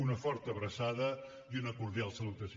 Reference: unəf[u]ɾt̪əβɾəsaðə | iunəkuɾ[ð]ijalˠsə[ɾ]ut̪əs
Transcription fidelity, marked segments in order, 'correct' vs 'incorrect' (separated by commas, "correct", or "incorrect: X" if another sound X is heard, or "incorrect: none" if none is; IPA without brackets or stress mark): incorrect: ɔ, correct, incorrect: l